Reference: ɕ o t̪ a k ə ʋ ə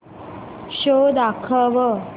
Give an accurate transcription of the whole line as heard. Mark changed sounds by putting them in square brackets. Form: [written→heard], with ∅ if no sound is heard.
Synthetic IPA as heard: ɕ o [t̪→d̪] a [k→kʰ] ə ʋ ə